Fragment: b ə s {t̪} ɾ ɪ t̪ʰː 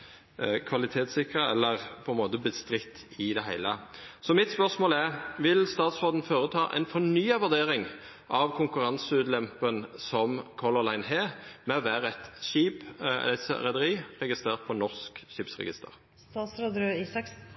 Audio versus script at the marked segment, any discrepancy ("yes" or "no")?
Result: no